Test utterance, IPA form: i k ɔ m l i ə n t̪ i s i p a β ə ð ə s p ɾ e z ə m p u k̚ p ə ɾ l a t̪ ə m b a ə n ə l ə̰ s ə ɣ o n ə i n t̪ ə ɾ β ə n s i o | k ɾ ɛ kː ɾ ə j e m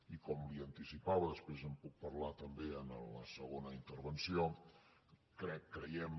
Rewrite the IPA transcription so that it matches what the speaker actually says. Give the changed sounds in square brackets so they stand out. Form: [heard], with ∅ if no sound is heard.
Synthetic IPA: i k ɔ m l i ə n t̪ i s i p a β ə ð ə s p ɾ e z ə m p u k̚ p ə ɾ l a t̪ ə m b [e] ə n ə l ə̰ s ə ɣ o n ə i n t̪ ə ɾ β ə n s i o | k ɾ ɛ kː ɾ ə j [ɛ] m